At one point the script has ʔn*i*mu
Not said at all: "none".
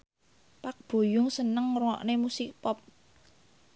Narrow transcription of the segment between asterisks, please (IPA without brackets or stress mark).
e